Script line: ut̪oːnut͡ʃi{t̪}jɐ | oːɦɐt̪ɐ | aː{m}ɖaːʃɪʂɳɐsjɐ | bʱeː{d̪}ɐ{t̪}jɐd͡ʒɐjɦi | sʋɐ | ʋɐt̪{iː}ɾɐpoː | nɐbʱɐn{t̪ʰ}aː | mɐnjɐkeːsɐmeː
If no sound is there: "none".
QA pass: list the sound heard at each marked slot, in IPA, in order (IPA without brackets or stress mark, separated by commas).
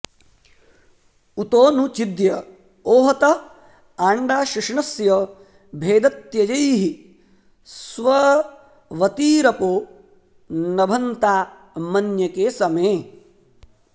d̪, ɳ, d̪, t̪, iː, t̪